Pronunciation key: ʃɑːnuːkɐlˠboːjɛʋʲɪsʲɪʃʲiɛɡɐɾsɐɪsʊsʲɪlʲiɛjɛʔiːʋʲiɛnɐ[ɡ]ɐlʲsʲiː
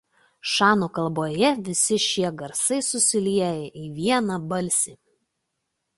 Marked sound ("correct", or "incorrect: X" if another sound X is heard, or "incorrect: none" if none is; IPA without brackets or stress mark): incorrect: b